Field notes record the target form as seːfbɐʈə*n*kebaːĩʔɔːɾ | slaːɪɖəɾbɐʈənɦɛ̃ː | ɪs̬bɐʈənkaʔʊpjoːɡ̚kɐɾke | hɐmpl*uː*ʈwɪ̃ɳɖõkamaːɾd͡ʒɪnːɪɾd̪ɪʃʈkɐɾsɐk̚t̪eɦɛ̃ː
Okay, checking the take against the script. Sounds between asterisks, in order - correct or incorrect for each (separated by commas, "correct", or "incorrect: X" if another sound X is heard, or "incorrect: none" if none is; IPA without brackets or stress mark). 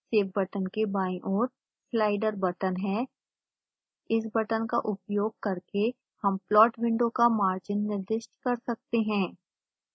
correct, incorrect: ɔː